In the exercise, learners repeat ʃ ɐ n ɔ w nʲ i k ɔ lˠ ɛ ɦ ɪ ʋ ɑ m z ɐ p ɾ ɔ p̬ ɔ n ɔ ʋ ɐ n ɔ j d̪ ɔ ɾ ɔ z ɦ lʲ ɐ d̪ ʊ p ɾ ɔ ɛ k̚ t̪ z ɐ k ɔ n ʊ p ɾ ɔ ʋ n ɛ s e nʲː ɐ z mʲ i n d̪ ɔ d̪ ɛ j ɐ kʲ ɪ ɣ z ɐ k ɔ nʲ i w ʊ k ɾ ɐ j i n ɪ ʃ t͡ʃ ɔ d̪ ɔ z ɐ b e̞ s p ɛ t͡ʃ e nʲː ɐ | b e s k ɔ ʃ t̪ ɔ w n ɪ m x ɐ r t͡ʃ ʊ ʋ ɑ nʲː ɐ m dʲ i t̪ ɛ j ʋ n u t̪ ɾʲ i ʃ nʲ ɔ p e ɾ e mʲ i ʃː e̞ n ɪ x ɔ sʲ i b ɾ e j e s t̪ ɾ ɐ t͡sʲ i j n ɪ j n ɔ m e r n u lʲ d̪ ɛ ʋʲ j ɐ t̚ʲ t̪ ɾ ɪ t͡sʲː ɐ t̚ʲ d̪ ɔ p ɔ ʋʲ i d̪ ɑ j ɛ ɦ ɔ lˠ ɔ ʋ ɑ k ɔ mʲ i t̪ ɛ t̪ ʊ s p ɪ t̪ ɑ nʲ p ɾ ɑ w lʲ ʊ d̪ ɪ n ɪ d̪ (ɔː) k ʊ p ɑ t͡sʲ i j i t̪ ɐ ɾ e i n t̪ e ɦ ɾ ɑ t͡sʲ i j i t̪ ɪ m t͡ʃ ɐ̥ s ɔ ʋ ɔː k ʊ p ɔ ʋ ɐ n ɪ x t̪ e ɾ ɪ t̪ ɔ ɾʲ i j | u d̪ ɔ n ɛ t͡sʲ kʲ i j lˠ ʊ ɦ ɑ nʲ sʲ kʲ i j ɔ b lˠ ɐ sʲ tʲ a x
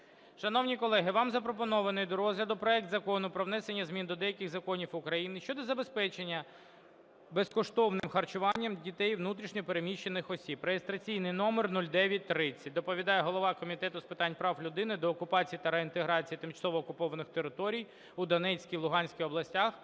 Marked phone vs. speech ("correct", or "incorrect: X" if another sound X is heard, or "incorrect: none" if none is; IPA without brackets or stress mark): correct